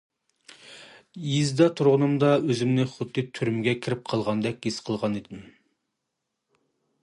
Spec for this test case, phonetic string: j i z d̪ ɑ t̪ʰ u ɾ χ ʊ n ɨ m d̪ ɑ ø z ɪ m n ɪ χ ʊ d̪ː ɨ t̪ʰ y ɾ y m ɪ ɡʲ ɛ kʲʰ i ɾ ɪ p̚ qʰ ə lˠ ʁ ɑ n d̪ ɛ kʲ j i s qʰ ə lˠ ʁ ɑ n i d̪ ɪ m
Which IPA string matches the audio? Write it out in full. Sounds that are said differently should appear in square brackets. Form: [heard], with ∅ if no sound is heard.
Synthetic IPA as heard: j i z d̪ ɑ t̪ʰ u ɾ [ʁ] ʊ n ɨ m d̪ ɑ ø z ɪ m n ɪ χ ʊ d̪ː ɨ t̪ʰ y ɾ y m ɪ ɡʲ ɛ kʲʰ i ɾ ɪ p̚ qʰ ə lˠ ʁ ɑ n d̪ ɛ kʲ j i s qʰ ə lˠ ʁ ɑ n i d̪ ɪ m